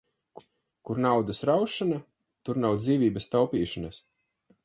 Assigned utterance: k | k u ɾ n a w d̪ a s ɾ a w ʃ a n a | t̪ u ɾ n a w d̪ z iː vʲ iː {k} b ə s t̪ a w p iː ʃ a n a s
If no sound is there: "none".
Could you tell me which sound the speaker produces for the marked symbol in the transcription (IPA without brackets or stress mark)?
none